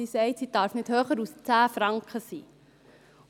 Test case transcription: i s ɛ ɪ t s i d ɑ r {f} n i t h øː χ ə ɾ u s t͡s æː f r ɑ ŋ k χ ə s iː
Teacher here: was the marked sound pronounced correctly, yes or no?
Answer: yes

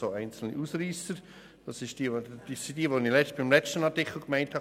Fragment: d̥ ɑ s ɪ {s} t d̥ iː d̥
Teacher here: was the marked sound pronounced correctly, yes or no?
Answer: no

